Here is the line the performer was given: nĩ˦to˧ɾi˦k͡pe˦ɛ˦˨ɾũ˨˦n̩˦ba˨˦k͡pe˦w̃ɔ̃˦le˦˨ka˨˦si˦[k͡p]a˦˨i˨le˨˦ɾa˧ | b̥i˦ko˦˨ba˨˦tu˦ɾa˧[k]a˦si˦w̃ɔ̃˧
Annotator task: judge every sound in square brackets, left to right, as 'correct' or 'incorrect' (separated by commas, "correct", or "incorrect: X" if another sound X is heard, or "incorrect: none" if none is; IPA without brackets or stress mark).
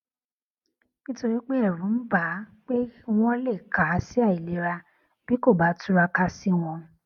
incorrect: none, correct